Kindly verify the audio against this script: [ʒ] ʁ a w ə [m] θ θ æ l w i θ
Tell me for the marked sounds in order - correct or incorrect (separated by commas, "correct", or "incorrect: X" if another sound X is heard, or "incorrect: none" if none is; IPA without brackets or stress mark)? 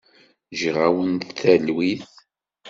correct, incorrect: n